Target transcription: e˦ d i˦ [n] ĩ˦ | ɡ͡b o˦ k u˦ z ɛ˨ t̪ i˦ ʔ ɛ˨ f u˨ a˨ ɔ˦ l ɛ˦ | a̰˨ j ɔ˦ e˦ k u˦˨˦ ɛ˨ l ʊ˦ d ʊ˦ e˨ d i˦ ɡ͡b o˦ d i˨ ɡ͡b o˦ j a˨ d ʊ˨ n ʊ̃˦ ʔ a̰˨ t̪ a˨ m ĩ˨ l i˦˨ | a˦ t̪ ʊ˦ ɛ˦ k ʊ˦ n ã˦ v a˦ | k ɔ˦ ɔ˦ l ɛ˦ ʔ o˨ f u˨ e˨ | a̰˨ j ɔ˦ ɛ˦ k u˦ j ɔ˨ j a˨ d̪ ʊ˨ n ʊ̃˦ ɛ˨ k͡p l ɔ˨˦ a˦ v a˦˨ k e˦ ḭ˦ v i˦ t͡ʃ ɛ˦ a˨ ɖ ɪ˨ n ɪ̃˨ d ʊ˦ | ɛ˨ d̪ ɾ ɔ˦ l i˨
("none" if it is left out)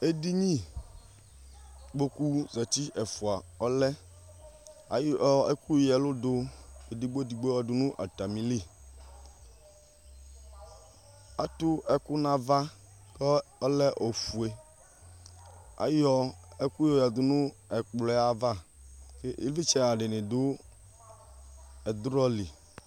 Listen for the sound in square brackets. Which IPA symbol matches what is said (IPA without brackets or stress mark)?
ɲ